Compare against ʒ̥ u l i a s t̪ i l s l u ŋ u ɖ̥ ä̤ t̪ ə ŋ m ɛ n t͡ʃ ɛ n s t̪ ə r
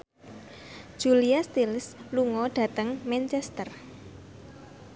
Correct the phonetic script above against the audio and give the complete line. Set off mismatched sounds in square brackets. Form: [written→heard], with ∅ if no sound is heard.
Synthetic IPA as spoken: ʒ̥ u l i a s t̪ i l s l u ŋ [u→ɔ] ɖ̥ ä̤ t̪ ə ŋ m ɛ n t͡ʃ ɛ [n→∅] s t̪ ə r